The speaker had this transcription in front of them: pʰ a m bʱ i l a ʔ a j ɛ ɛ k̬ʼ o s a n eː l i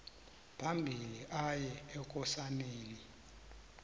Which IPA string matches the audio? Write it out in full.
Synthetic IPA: pʰ a m bʱ i l i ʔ a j ɛ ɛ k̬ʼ ɔ s a n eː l i